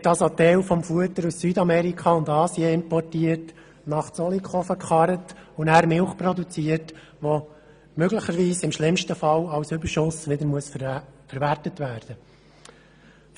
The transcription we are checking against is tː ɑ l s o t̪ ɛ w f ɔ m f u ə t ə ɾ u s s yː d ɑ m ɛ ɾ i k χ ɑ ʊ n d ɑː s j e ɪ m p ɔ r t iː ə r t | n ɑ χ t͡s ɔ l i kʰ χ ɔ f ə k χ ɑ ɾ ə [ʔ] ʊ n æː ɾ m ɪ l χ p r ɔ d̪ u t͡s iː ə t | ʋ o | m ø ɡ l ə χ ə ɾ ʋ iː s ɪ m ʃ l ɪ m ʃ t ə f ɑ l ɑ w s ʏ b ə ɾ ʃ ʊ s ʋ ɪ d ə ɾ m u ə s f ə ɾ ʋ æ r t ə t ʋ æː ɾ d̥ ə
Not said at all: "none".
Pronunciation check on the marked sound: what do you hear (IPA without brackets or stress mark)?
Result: t